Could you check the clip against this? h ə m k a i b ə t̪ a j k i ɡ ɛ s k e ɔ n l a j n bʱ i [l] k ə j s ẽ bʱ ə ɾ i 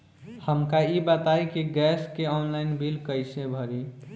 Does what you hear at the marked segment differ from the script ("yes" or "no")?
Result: no